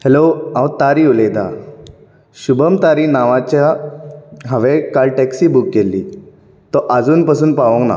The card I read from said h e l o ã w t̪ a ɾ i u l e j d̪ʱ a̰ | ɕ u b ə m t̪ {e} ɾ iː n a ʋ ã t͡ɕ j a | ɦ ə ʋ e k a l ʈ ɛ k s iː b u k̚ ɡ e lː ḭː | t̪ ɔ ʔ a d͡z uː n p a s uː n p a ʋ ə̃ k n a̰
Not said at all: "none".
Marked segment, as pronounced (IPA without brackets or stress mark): a